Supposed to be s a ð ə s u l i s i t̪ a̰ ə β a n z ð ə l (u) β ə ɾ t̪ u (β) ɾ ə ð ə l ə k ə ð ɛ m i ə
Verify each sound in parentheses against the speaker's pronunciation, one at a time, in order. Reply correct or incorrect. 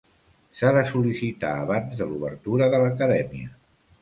correct, incorrect

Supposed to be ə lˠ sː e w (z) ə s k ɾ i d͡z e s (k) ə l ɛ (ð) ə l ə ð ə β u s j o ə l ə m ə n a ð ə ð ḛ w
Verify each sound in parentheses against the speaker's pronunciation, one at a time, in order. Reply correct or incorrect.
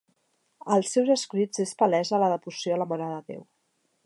correct, incorrect, incorrect

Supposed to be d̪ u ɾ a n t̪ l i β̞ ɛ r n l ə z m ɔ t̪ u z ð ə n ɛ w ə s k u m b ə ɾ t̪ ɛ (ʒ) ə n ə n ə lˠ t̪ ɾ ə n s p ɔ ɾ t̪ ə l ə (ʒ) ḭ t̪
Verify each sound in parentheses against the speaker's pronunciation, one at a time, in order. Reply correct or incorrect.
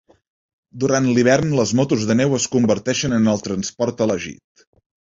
incorrect, correct

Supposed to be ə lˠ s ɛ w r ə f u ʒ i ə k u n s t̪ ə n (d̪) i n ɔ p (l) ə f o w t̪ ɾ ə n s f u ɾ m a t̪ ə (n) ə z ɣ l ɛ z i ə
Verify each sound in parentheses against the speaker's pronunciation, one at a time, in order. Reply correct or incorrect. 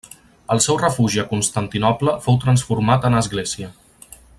incorrect, correct, correct

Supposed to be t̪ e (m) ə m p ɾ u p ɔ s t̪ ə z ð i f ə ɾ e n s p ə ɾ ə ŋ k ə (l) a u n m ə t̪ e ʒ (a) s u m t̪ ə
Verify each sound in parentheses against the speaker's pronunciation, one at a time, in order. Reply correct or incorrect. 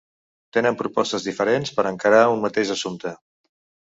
incorrect, incorrect, incorrect

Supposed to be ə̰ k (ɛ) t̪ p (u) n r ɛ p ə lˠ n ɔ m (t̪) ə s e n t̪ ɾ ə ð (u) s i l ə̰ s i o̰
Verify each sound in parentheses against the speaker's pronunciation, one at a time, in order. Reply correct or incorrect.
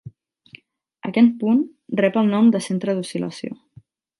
correct, correct, incorrect, correct

